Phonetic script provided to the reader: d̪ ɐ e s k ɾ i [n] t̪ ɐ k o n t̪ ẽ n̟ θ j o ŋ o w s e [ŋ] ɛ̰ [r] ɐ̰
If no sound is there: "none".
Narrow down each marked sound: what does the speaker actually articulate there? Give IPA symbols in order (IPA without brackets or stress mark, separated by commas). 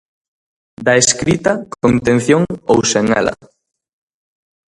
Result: none, ŋ, l